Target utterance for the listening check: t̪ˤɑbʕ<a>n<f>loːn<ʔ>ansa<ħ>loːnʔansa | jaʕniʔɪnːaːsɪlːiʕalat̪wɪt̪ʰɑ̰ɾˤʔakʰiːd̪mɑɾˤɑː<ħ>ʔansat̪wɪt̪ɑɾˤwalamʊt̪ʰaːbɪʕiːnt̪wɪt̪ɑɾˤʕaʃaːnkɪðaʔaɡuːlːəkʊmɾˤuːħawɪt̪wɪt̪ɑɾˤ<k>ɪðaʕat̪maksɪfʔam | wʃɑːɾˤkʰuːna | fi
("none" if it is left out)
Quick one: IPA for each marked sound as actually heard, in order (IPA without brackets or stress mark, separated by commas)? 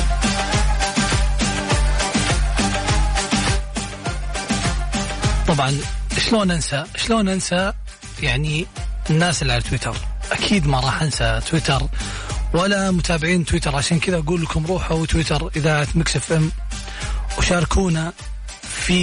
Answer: ɑ, ʃ, ʔ, ʃ, ħ, ʔ